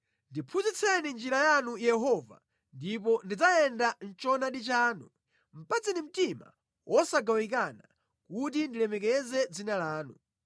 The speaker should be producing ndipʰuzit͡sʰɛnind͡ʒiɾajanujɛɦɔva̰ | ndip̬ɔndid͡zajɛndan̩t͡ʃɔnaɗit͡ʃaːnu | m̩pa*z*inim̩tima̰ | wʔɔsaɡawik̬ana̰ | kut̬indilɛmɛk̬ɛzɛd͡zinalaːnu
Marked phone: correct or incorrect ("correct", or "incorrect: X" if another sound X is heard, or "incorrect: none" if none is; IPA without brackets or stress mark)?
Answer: incorrect: d͡z